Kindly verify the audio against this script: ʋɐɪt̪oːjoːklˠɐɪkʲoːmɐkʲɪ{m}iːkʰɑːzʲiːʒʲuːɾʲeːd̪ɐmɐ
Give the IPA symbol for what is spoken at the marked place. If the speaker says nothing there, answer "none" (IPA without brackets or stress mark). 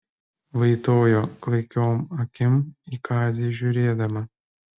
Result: m